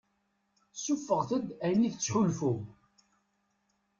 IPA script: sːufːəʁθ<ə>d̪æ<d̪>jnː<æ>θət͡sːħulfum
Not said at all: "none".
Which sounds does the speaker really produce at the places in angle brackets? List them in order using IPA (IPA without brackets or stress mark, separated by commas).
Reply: ə, none, i